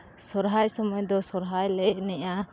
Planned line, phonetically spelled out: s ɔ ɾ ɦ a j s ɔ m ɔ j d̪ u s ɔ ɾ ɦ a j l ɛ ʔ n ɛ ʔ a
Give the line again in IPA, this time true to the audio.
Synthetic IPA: s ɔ ɾ ɦ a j s ɔ m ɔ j d̪ ɔ s ɔ ɾ ɦ a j l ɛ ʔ n ɛ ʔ a